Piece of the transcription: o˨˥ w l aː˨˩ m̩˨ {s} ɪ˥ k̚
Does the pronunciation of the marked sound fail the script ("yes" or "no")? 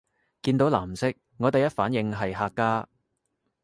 no